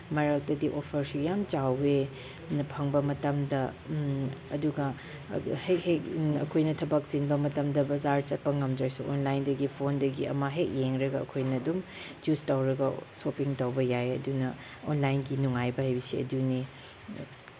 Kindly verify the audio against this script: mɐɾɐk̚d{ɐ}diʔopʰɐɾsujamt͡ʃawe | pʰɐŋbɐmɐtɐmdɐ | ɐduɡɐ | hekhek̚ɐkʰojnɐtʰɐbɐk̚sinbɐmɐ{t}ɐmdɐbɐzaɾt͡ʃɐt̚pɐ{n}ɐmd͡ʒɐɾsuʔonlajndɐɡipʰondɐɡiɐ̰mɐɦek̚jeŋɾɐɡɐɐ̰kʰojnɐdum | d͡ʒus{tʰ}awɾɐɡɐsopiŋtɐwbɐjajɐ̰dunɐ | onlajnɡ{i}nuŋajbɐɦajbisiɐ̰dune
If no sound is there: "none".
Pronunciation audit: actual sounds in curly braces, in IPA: ɐ, t, ŋ, t, i

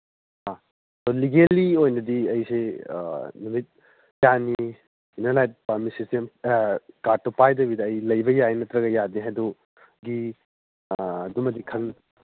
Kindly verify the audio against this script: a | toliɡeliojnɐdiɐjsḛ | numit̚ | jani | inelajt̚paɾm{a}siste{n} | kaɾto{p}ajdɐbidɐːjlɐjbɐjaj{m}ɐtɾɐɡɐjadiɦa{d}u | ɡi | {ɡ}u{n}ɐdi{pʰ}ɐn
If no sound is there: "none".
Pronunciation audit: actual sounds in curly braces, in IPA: i, m, p, n, d, d, m, kʰ

